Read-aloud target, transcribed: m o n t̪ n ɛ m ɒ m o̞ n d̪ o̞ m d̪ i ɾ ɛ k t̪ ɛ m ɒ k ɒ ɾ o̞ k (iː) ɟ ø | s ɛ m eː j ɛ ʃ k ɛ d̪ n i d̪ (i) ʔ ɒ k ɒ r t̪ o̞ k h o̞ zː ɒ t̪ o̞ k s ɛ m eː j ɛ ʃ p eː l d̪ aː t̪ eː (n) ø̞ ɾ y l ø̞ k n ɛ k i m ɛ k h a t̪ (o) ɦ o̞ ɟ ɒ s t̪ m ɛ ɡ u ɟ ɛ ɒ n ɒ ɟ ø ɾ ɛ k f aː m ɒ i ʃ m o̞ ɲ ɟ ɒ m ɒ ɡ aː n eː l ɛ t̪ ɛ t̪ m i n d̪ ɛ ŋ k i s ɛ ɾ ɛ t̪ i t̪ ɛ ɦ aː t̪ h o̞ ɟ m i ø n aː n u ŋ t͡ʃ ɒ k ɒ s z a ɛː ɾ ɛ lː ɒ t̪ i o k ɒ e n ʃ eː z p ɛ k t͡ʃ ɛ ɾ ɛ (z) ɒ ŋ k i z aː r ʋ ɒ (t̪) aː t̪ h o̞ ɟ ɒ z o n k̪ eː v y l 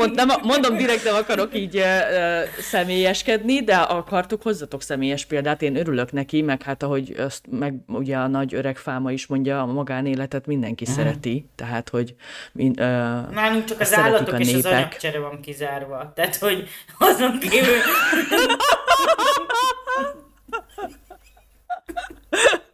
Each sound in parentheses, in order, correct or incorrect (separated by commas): correct, incorrect, correct, incorrect, incorrect, correct